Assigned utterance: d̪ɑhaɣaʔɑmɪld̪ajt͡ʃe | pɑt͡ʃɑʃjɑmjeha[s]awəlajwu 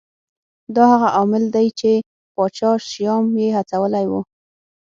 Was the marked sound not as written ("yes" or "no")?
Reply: yes